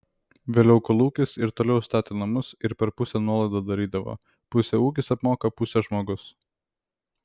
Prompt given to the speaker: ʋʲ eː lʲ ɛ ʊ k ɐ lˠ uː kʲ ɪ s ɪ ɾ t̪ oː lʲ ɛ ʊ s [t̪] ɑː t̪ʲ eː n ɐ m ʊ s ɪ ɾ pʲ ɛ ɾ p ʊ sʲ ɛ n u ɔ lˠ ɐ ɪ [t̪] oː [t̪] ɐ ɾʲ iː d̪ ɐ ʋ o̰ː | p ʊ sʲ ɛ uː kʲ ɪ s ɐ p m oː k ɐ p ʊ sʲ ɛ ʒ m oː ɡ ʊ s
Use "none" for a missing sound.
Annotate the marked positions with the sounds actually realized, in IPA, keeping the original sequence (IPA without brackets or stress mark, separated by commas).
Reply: t̪, d̪, d̪